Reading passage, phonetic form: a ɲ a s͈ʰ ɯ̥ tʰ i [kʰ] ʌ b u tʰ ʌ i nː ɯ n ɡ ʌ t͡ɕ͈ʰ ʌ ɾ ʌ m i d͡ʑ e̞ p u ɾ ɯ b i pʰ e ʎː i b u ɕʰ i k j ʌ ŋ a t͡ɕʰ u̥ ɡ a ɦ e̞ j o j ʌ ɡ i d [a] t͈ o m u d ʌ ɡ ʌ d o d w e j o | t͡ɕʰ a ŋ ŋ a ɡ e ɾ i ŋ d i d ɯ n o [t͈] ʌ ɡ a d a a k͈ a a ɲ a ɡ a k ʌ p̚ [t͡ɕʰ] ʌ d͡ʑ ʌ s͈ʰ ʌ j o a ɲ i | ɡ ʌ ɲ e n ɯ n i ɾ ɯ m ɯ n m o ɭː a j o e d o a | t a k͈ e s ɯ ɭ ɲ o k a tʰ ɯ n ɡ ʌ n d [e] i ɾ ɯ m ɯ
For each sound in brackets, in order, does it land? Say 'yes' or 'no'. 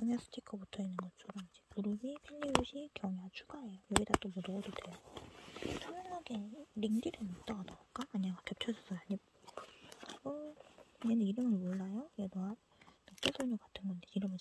yes, yes, yes, yes, yes

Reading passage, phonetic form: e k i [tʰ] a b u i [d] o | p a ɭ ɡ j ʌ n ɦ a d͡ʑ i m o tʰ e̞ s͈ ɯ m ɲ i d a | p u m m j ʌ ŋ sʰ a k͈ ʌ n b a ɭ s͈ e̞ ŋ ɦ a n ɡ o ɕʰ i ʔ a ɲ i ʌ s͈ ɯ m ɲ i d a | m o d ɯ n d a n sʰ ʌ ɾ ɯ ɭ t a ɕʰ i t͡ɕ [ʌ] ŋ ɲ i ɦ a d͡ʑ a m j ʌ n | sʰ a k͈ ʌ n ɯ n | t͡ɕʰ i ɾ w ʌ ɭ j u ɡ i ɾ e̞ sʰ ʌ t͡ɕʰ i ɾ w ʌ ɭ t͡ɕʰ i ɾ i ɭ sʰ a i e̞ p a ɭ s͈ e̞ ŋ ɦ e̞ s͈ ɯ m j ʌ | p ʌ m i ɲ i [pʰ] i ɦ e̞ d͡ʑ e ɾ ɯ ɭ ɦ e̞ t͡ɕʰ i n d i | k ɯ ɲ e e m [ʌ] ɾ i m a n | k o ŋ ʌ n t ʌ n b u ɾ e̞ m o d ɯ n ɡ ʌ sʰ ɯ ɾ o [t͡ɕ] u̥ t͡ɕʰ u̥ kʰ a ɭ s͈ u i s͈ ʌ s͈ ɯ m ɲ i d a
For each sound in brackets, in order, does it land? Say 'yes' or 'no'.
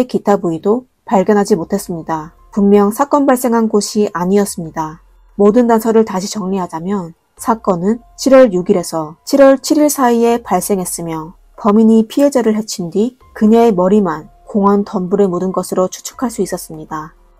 yes, yes, yes, yes, yes, no

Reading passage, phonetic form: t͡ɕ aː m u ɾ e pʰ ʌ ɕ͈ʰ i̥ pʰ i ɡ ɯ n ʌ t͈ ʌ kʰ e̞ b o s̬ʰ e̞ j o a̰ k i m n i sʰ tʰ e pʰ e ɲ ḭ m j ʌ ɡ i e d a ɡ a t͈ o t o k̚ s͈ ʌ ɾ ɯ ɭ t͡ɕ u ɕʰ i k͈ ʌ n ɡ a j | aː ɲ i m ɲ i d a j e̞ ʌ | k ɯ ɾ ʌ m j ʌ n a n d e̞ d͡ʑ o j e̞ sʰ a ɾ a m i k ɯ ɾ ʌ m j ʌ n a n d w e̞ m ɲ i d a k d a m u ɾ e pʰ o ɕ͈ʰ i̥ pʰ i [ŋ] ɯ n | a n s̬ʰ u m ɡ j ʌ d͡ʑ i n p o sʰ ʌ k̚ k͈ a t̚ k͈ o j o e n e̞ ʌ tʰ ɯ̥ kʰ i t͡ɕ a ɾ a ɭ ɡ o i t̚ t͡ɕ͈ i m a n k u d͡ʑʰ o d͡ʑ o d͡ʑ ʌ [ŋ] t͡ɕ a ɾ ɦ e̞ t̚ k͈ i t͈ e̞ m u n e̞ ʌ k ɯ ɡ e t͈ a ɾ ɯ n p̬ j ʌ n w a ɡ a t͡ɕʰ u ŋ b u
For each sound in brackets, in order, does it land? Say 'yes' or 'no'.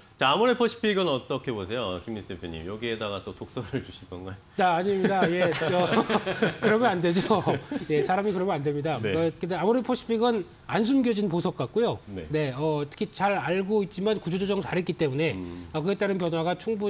no, yes

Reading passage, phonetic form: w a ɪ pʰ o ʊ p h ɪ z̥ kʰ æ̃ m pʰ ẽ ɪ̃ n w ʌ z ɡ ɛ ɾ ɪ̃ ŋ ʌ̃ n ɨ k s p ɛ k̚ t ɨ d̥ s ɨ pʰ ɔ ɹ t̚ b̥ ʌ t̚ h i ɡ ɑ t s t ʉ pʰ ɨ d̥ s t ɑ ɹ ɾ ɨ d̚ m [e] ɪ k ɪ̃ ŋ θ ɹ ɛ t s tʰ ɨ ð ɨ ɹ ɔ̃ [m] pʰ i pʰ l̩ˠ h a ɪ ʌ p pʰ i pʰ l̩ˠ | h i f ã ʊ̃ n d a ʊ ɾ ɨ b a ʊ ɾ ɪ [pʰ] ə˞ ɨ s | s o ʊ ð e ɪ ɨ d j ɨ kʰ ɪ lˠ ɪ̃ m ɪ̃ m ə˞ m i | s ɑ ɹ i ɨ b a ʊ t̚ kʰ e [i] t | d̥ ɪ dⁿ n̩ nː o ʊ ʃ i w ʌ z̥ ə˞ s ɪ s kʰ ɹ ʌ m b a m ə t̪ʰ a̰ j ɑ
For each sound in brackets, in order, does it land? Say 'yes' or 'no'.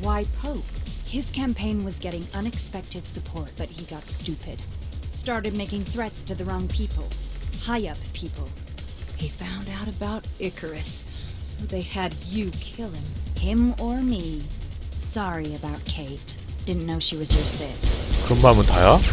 yes, no, no, no

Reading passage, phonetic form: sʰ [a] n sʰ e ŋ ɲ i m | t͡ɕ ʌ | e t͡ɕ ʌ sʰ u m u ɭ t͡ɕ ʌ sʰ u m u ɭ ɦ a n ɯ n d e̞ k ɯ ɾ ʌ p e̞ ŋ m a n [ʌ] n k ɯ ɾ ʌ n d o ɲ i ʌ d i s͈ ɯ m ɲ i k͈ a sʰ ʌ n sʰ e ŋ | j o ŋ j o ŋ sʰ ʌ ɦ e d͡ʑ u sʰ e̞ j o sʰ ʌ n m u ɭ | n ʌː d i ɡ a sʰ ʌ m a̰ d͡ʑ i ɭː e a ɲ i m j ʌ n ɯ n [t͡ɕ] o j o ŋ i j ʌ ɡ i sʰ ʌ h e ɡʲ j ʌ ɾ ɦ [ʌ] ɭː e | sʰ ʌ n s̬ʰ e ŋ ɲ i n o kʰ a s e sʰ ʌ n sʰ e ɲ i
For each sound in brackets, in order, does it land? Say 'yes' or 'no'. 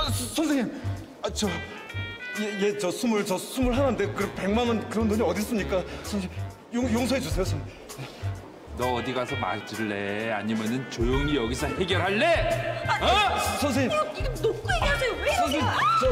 no, yes, yes, no

